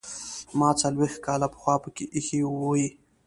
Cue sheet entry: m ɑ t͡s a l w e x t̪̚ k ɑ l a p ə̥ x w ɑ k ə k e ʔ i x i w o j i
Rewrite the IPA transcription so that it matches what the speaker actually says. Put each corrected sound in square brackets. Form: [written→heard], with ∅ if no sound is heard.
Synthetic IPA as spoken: m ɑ t͡s a l w e x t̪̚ k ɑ l a p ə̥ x w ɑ [k→p] ə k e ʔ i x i w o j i